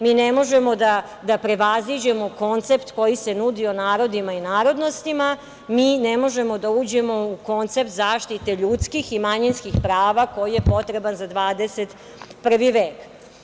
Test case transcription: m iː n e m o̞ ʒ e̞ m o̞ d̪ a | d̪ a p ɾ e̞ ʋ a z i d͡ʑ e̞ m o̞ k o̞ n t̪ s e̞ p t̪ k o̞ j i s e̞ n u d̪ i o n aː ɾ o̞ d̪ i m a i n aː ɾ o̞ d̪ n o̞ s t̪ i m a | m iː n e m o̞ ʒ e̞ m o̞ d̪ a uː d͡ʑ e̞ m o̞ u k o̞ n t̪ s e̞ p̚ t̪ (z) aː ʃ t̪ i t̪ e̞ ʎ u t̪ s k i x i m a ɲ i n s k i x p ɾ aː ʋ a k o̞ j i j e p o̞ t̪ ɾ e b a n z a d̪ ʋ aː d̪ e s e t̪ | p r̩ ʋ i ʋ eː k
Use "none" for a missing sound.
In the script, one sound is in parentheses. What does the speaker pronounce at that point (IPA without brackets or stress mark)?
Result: z